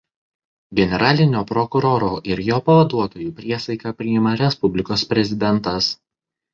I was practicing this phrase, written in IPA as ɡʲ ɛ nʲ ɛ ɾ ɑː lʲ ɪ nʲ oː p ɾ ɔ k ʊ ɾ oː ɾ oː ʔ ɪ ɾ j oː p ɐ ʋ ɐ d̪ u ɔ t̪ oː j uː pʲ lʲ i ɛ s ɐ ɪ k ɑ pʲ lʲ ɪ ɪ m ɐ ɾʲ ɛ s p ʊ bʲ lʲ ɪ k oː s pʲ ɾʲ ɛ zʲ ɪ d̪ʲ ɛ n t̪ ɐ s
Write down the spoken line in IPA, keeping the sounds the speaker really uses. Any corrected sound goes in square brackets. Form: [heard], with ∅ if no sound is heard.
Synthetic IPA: ɡʲ ɛ nʲ ɛ ɾ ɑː lʲ ɪ nʲ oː p ɾ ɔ k ʊ ɾ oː ɾ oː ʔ ɪ ɾ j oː p ɐ ʋ ɐ d̪ u ɔ t̪ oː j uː pʲ [ɾʲ] i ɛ s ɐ ɪ k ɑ pʲ [ɾʲ] ɪ ɪ m ɐ ɾʲ ɛ s p ʊ bʲ lʲ ɪ k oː s pʲ ɾʲ ɛ zʲ ɪ d̪ʲ ɛ n t̪ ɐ s

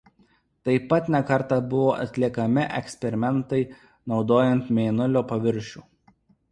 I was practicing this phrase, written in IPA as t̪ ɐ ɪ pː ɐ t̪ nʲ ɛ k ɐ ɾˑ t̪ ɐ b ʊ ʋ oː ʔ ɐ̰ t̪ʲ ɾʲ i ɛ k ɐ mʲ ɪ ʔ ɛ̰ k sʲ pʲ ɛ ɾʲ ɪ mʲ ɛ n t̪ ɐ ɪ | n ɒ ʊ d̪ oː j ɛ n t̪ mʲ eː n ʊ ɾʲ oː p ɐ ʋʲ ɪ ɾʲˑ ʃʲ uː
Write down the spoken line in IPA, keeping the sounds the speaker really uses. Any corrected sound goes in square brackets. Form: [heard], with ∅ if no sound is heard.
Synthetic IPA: t̪ ɐ ɪ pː ɐ t̪ nʲ ɛ k ɐ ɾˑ t̪ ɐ b ʊ ʋ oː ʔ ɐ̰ t̪ʲ [lʲ] i ɛ k ɐ mʲ ɪ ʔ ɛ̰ k sʲ pʲ ɛ ɾʲ ɪ mʲ ɛ n t̪ ɐ ɪ | n ɒ ʊ d̪ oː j ɛ n t̪ mʲ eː n ʊ [lʲ] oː p ɐ ʋʲ ɪ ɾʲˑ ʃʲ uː

